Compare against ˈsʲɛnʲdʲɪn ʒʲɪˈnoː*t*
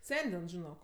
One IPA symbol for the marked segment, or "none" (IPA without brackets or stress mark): k